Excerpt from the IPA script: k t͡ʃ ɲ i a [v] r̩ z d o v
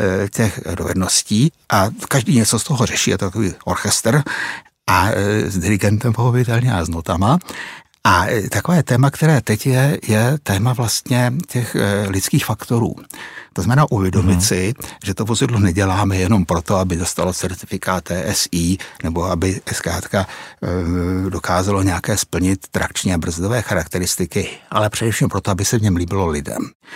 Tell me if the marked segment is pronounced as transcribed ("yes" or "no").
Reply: no